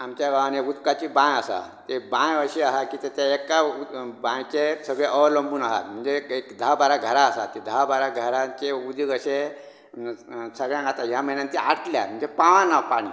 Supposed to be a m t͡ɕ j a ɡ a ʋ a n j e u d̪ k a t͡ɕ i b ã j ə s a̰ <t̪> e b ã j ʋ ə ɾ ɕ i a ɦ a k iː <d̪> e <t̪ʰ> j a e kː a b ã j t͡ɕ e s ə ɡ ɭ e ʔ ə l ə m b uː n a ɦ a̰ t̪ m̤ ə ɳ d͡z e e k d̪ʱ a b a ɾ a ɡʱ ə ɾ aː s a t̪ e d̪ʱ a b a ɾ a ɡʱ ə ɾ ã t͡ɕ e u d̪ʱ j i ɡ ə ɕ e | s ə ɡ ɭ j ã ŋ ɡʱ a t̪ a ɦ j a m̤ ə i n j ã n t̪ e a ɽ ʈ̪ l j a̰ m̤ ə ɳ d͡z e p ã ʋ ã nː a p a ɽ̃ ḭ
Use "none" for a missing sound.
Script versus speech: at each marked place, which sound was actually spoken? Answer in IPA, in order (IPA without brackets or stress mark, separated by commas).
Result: t̪, t̪, t̪